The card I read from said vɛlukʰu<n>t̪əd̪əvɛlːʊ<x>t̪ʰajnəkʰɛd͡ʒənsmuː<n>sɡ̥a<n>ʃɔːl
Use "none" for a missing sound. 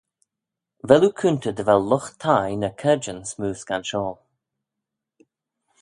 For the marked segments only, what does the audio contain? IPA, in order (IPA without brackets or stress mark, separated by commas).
n, x, none, n